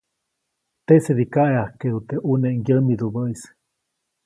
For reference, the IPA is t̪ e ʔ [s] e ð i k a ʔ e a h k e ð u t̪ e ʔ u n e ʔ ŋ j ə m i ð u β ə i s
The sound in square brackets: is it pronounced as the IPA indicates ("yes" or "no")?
yes